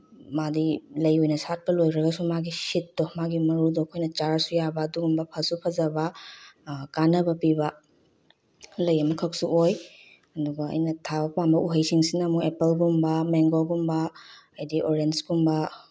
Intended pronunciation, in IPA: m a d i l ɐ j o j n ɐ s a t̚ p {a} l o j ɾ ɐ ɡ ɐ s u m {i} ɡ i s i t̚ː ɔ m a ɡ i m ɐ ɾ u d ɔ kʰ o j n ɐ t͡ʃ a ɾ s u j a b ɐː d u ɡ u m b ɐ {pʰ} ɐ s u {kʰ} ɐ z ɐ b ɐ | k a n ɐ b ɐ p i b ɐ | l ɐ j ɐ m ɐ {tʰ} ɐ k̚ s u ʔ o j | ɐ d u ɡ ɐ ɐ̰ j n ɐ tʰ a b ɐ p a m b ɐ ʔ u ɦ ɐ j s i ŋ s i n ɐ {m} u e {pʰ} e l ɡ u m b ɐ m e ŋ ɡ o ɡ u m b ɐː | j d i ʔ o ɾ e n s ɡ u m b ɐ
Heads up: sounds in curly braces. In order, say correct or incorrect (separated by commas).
incorrect, incorrect, correct, incorrect, incorrect, correct, incorrect